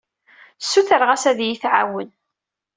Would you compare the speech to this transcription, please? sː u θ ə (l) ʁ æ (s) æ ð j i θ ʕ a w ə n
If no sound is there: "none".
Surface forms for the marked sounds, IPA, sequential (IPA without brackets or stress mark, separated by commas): ɾ, s